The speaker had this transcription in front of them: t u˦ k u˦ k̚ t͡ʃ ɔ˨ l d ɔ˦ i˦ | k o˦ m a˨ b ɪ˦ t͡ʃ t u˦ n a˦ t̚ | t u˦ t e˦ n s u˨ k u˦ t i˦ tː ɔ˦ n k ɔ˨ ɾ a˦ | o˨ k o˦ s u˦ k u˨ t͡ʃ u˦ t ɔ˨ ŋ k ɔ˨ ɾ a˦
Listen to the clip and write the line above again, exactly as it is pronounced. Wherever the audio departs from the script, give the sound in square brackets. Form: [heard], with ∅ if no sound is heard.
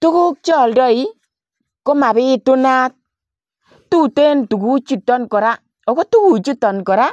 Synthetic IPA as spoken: t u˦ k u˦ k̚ t͡ʃ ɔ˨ l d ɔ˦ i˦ | k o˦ m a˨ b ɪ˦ [∅] t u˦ n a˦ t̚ | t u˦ t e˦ n [t] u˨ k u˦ [t͡ʃ] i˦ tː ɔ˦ n k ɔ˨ ɾ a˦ | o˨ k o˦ [t] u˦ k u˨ t͡ʃ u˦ t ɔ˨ [n] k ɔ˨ ɾ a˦